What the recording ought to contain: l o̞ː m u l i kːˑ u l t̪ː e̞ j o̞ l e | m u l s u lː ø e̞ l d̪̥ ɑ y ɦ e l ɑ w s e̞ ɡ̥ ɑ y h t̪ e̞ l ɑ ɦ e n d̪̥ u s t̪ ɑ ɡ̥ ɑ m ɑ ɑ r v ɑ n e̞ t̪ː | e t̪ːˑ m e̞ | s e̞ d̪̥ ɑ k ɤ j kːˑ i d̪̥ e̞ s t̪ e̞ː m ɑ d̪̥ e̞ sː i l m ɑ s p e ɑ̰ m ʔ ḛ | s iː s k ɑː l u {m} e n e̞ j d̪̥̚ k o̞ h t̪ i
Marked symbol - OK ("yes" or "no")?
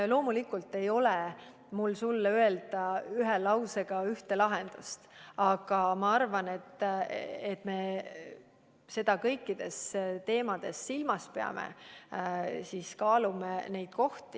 yes